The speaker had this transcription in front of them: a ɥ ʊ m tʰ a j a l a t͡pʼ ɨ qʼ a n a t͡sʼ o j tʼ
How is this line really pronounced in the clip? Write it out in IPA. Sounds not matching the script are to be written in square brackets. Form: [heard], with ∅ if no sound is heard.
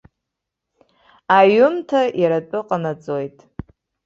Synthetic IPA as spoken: a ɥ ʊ m tʰ a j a [ɾ] a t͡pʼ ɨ qʼ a n a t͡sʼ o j tʼ